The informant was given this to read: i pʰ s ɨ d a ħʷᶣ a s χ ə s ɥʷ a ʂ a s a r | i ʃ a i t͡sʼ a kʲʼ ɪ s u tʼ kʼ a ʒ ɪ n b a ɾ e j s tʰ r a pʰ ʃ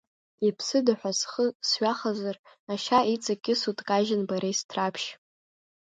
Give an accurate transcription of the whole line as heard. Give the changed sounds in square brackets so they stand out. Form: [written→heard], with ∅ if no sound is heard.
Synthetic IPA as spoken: i pʰ s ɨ d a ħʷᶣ a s χ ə s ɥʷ a [ʂ→χ] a [s→z] a r | [i→a] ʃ a i t͡sʼ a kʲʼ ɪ s u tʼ kʼ a ʒ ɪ n b a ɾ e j s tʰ r a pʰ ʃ